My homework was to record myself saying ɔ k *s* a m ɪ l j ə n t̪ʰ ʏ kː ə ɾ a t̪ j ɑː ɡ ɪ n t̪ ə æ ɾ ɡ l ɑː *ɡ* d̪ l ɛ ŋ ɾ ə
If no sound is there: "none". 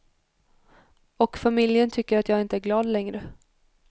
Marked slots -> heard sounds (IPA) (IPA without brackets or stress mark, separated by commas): f, none